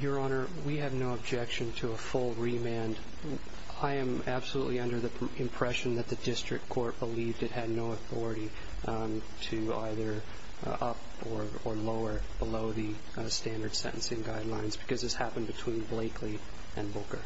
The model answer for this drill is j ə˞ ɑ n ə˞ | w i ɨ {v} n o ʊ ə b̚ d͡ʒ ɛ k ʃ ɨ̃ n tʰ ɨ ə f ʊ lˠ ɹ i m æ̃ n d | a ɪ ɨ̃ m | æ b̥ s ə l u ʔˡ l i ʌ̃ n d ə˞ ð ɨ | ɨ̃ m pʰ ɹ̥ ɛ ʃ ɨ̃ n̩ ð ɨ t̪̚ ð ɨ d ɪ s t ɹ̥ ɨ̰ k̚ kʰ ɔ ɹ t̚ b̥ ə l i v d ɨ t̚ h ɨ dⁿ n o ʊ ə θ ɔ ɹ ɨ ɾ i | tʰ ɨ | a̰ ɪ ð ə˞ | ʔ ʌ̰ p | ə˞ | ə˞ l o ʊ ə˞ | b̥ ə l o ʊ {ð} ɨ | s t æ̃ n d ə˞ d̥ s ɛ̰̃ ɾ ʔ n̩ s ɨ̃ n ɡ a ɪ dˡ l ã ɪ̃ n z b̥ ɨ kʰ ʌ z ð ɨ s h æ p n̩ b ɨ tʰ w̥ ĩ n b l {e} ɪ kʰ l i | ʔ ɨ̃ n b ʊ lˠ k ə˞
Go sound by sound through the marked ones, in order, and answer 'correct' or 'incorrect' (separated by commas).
correct, correct, correct